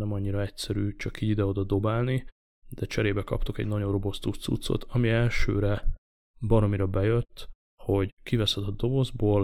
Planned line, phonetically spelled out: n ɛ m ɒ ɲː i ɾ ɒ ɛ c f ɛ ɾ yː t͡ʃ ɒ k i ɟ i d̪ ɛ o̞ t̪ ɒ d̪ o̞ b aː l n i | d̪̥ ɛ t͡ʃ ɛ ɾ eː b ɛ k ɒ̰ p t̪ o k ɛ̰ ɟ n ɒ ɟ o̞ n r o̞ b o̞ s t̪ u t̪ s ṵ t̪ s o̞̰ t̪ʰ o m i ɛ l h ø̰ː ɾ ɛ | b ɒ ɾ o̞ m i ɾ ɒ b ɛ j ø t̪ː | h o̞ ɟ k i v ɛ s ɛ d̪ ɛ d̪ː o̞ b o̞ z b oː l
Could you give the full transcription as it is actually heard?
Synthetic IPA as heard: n ɛ m ɒ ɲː i ɾ ɒ ɛ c s ɛ ɾ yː t͡ʃ ɒ k i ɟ i d̪ ɛ o̞ d̪ ɒ d̪ o̞ b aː l n i | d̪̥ ɛ t͡ʃ ɛ ɾ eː b ɛ k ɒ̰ p t̪ o k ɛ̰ ɟ n ɒ ɟ o̞ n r o̞ b o̞ s t̪ u t̪ s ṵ t̪ s o̞̰ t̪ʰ ɒ m i ɛ l ʃ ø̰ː ɾ ɛ | b ɒ ɾ o̞ m i ɾ ɒ b ɛ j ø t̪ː | h o̞ ɟ k i v ɛ s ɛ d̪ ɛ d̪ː o̞ b o̞ z b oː l